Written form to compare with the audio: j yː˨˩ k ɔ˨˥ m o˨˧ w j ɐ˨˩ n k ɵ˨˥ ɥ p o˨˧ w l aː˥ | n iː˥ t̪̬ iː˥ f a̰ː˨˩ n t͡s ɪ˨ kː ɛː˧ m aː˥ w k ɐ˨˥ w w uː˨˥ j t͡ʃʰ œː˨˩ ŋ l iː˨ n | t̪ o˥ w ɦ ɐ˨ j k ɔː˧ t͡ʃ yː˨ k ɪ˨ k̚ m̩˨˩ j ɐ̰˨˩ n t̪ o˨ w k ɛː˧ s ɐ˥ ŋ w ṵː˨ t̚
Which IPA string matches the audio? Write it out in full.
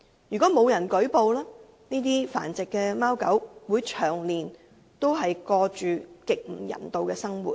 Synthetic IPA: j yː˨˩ k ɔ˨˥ m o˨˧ w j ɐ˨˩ n k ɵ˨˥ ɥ p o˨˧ w l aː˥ | n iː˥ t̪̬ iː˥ f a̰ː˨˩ n t͡s ɪ˨ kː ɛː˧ m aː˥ w k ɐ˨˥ w w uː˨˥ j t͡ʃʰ œː˨˩ ŋ l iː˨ n | t̪ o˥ w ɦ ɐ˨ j k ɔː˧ t͡ʃ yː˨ k ɪ˨ k̚ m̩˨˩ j ɐ̰˨˩ n t̪ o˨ w k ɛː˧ s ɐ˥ ŋ w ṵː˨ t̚

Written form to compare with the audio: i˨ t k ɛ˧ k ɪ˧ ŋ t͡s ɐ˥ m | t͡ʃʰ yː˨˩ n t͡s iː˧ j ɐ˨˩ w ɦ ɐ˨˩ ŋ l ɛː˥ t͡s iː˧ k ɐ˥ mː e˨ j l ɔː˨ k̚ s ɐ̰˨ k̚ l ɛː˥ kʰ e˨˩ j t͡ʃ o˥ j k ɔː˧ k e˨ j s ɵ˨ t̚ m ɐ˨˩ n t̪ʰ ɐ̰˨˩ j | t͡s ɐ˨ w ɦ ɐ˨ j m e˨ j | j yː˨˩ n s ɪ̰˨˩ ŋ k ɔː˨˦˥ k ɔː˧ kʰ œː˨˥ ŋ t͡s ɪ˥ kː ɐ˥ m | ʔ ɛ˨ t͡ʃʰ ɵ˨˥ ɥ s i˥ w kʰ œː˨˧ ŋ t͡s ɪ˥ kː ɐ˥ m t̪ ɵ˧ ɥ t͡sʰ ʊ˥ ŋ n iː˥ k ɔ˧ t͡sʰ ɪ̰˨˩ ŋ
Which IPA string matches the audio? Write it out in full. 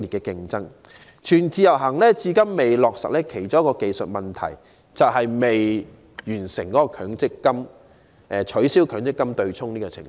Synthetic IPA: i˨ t k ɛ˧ k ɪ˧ ŋ t͡s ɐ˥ ŋ | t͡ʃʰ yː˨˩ n t͡s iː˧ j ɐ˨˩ w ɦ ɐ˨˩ ŋ l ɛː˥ t͡s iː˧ k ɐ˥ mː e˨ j l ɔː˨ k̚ s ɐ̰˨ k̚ l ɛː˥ kʰ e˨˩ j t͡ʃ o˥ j k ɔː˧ k e˨ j s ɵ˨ t̚ m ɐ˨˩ n t̪ʰ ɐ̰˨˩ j | t͡s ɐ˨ w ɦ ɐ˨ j m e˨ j | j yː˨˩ n s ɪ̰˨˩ ŋ k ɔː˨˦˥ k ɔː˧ kʰ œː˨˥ ŋ t͡s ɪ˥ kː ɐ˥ m | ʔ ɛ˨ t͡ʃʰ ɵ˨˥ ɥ s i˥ w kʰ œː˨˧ ŋ t͡s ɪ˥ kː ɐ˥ m t̪ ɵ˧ ɥ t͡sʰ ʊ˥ ŋ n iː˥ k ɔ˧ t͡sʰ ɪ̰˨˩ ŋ

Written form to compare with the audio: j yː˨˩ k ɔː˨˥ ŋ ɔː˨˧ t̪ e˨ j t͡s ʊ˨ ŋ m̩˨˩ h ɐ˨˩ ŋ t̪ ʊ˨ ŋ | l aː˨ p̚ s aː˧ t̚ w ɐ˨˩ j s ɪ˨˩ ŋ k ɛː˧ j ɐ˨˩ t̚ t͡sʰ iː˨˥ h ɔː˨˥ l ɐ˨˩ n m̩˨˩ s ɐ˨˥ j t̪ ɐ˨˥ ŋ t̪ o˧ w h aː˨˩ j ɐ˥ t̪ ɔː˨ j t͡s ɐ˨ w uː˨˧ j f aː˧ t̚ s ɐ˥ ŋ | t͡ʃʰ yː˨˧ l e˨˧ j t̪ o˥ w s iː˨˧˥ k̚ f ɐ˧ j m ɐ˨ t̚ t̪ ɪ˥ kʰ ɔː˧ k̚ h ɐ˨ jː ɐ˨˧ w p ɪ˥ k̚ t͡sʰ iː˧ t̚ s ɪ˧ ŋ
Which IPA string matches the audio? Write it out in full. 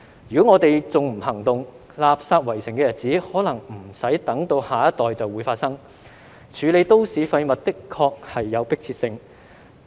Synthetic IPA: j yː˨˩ k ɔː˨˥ ŋ ɔː˨˧ t̪ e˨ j t͡s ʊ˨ ŋ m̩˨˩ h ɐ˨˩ ŋ t̪ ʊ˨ ŋ | l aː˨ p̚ s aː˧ t̚ w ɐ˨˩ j s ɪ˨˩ ŋ k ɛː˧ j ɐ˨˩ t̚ t͡s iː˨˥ h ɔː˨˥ l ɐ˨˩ ŋ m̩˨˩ s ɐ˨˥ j t̪ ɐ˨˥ ŋ t̪ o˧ w h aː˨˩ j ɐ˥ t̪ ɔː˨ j t͡s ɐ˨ w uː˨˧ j f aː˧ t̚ s ɐ˥ ŋ | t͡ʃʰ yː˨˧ l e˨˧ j t̪ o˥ w s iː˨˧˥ f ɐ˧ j m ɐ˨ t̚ t̪ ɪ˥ kʰ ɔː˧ k̚ h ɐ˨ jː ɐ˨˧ w p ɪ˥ k̚ t͡sʰ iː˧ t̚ s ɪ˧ ŋ

